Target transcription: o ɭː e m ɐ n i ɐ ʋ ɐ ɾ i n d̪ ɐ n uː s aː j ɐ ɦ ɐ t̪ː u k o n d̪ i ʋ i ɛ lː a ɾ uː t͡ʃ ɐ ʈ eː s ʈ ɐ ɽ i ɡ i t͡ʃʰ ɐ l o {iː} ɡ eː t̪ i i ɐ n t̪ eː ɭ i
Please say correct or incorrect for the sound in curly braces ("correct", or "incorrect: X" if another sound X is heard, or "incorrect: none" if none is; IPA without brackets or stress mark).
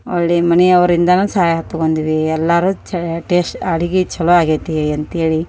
incorrect: aː